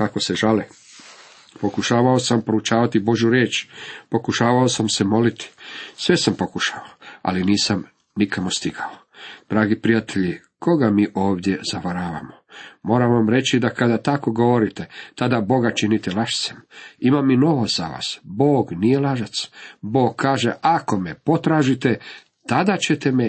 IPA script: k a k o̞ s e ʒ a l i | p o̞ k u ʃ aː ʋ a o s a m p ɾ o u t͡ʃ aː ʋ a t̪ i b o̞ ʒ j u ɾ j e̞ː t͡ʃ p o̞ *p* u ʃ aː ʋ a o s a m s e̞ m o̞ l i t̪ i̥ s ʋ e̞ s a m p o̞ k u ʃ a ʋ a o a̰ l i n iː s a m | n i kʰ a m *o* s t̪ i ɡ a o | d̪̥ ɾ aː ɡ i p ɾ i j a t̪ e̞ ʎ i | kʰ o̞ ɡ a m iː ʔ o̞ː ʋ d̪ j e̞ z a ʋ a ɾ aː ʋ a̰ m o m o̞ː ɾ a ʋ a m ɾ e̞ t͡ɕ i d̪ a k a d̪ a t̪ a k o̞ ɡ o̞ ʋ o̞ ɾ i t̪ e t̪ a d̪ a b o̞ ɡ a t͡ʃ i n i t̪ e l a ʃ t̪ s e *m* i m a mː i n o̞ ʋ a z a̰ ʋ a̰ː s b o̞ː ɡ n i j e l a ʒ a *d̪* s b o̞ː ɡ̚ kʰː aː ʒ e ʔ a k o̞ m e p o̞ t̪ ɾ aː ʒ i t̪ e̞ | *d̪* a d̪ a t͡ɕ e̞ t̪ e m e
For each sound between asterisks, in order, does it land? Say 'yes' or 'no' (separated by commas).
no, yes, yes, no, no